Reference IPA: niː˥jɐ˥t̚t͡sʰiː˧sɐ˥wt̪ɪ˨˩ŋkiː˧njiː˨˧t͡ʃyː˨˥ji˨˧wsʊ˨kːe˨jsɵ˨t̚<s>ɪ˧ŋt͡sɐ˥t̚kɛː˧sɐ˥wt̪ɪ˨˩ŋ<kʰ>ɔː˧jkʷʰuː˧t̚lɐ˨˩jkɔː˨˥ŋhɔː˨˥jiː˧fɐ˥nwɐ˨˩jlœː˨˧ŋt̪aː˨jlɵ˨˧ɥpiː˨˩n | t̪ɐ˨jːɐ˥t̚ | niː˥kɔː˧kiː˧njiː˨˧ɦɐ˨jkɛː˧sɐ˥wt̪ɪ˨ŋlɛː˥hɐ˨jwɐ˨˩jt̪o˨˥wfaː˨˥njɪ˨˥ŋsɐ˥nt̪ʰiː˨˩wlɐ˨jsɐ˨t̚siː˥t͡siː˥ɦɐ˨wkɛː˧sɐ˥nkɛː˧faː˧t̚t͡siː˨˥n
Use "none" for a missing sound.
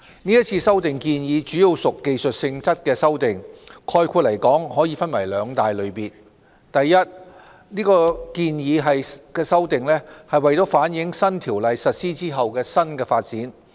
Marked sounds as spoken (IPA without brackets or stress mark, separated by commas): s, kʰ